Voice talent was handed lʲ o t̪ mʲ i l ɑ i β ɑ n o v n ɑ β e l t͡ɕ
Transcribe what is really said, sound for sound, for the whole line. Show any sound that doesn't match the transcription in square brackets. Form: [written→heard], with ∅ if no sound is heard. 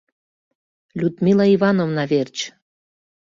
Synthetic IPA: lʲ [o→u] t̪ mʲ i l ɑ i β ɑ n o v n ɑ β e [l→r] t͡ɕ